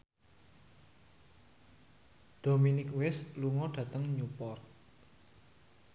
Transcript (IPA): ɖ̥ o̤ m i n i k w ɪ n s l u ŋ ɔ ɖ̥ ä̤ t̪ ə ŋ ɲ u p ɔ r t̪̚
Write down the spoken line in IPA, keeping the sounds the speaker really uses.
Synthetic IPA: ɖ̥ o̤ m i n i k w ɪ s l u ŋ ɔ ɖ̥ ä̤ t̪ ə ŋ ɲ u p ɔ r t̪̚